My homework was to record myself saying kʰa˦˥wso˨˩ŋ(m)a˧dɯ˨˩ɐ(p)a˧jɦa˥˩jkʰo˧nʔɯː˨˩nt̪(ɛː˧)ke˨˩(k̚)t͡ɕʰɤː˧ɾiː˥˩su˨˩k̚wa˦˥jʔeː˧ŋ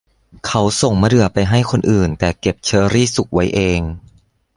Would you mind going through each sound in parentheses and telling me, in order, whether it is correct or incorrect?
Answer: correct, correct, incorrect, incorrect

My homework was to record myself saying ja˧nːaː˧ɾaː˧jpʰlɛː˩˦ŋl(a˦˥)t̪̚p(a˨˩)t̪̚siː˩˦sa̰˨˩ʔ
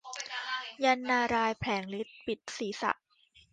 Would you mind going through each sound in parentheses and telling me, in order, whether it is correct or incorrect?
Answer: incorrect, incorrect

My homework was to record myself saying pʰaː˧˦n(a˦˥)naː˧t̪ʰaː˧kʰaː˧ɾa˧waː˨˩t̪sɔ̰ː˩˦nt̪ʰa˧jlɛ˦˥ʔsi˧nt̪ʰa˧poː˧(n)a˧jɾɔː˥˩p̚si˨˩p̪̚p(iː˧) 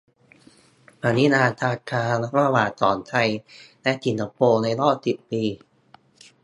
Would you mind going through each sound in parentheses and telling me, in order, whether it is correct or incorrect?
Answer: incorrect, correct, correct

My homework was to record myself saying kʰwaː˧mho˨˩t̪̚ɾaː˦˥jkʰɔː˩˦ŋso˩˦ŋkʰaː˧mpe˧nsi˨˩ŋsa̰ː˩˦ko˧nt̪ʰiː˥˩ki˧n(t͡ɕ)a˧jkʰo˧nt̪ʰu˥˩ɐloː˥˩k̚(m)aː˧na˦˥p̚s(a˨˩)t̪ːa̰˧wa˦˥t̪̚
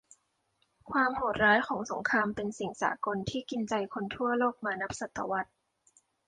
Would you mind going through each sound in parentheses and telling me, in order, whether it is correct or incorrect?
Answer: correct, correct, correct

